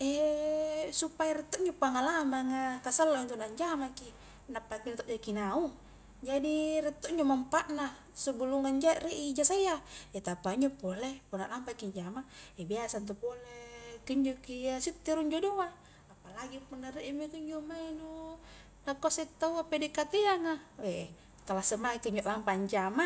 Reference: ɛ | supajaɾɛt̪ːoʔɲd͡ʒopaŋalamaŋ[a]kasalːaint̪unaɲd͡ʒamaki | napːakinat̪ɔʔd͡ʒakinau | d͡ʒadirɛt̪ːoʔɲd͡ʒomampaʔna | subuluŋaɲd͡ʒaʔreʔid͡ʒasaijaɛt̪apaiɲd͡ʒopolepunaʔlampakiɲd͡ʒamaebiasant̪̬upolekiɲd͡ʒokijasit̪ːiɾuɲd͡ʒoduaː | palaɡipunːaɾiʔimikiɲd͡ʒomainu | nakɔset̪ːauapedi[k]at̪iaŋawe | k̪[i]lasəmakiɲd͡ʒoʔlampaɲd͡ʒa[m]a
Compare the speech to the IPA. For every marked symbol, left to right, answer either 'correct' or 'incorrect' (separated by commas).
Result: correct, correct, incorrect, correct